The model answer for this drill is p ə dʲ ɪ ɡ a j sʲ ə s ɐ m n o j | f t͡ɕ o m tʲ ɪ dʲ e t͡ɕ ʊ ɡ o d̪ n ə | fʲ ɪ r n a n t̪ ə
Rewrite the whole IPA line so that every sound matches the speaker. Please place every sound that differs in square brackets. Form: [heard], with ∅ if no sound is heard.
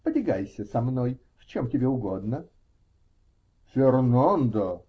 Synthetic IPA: p ə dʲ ɪ ɡ a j sʲ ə s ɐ m n o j | f t͡ɕ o m tʲ ɪ [bʲ] e [∅] ʊ ɡ o d̪ n ə | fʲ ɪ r n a n [d̪] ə